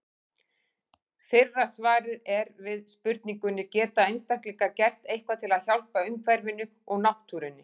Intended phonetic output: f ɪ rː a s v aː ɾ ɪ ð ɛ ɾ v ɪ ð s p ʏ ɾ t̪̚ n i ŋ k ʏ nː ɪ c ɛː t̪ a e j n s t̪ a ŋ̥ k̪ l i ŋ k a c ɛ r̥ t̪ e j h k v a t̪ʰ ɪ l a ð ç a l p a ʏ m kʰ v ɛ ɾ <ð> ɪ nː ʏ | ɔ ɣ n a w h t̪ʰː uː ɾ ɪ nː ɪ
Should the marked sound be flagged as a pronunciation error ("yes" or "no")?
yes